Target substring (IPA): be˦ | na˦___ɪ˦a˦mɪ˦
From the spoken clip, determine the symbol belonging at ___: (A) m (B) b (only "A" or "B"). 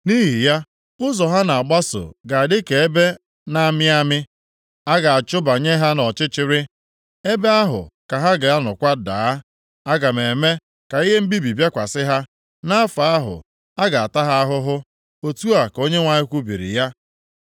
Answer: A